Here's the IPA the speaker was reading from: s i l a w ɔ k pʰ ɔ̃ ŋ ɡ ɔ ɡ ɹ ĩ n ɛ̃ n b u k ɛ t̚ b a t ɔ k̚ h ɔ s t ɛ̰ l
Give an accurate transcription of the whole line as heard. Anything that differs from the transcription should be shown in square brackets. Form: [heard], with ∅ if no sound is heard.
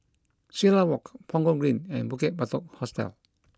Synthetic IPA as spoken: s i l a w ɔ k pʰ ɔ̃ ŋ ɡ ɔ ɡ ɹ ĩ n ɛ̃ n b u k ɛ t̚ b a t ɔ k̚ h ɔ s t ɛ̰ l